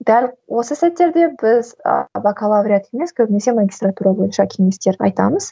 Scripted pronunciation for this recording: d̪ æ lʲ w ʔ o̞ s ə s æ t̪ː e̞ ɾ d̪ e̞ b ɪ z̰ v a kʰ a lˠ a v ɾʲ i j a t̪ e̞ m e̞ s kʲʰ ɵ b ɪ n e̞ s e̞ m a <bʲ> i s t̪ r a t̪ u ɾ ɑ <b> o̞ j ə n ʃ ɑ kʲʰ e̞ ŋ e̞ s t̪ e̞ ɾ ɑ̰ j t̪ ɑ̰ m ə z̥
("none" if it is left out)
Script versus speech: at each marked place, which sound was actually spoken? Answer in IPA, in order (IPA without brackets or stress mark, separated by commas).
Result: ɡʲ, b